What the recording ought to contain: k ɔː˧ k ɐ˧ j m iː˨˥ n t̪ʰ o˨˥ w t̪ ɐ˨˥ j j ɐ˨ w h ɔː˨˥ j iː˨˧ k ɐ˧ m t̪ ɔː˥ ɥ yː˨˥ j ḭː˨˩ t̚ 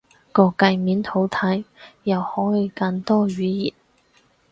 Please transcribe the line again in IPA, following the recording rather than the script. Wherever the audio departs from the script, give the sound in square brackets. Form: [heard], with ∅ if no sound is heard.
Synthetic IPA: k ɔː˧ k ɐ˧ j m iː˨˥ n t̪ʰ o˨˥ w [t̪ʰ] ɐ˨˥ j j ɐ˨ w h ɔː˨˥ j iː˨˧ k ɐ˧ [n] t̪ ɔː˥ ɥ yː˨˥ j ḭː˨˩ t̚